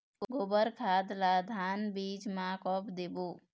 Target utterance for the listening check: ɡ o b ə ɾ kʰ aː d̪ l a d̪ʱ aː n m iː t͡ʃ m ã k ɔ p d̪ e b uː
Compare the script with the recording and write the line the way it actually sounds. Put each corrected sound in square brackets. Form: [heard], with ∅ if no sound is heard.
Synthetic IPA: ɡ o b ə ɾ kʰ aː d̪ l a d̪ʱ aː n [b] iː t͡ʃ m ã k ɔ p d̪ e b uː